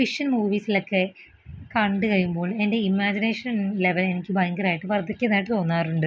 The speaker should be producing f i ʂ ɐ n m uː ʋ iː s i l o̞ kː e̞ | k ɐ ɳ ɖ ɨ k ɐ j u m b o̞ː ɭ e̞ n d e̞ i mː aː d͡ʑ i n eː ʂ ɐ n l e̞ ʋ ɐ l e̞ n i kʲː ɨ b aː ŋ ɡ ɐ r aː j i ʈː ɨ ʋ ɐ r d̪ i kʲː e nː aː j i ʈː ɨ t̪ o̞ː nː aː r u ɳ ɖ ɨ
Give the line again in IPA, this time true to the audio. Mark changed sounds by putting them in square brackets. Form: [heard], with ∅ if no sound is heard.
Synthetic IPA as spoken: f i ʂ ɐ n m uː ʋ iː s i l o̞ kː e̞ | k ɐ ɳ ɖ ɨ k ɐ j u m b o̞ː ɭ e̞ n d e̞ i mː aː d͡ʑ i n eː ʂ ɐ n l e̞ ʋ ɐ l e̞ n i kʲː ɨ b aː ŋ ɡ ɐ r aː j i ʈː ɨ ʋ ɐ r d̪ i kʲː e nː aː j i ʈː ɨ t̪ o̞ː nː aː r u ɳ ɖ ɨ